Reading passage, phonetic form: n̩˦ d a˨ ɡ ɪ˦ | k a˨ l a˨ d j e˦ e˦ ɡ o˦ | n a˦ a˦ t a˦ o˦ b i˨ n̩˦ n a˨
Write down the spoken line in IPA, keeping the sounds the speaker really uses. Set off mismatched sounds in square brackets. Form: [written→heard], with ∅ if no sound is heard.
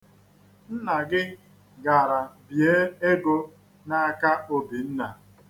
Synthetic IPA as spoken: n̩˦ [d→n] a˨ ɡ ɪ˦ | [k→ɡ] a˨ [l→ɾ] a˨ [d→b] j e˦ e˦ ɡ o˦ | n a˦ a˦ [t→k] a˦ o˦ b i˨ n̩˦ n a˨